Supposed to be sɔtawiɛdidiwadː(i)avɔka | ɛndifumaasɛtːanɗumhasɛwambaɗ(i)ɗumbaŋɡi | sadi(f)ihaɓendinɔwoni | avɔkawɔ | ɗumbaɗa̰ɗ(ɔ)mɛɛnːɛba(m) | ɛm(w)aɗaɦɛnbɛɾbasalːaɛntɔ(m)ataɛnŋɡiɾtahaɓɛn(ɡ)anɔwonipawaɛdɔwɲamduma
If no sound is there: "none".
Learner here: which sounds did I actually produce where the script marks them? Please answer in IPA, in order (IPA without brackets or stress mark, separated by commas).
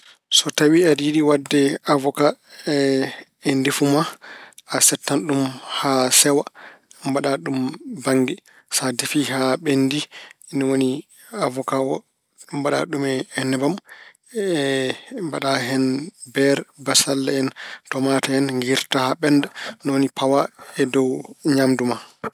ɛ, a, f, u, m, b, m, d